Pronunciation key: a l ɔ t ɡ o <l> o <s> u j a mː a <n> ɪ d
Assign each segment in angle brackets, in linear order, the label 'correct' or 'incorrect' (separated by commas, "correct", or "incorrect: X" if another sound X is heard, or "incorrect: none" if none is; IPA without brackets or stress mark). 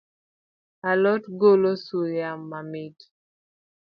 correct, correct, incorrect: m